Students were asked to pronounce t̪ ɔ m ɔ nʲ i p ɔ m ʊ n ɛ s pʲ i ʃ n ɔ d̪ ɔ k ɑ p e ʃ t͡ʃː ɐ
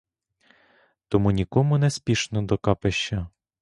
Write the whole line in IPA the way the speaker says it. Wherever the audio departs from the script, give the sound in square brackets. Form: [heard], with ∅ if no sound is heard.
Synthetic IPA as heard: t̪ ɔ m [u] nʲ i [k] ɔ m ʊ n ɛ s pʲ i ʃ n ɔ d̪ ɔ k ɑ p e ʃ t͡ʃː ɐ